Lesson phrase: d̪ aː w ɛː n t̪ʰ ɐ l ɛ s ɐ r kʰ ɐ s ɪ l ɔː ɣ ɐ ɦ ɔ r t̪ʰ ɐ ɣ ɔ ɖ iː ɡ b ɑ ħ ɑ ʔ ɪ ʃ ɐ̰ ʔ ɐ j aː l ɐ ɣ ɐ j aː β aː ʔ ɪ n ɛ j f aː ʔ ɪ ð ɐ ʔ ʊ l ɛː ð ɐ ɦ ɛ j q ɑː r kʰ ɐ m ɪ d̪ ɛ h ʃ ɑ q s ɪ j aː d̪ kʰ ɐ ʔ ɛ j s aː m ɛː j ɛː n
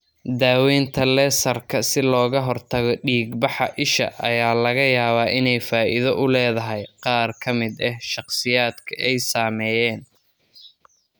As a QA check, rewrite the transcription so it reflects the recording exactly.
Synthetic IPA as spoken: d̪ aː w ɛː n t̪ʰ ɐ l ɛ s ɐ r kʰ ɐ s ɪ l ɔː ɣ ɐ ɦ ɔ r t̪ʰ ɐ ɣ ɔ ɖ iː ɡ b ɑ ħ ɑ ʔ ɪ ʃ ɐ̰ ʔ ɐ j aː l ɐ ɣ ɐ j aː β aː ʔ ɪ n ɛ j f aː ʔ ɪ ð ɐ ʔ ʊ l ɛː ð ɐ ɦ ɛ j q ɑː r kʰ ɐ m ɪ d̪ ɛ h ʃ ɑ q s ɪ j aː d̪ kʰ ɐ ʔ ɛ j s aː m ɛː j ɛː n